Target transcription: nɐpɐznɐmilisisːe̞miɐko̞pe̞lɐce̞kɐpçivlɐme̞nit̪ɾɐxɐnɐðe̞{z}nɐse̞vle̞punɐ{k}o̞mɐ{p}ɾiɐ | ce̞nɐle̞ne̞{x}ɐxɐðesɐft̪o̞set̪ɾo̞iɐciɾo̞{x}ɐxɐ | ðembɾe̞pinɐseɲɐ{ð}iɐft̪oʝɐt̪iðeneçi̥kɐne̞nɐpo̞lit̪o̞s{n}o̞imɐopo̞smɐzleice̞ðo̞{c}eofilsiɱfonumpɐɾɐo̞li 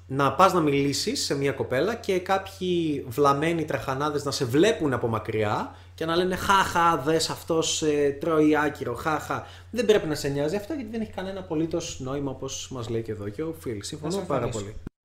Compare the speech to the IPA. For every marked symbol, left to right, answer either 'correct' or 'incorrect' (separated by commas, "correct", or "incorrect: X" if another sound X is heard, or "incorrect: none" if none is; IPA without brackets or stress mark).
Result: correct, incorrect: p, incorrect: k, correct, correct, incorrect: z, correct, correct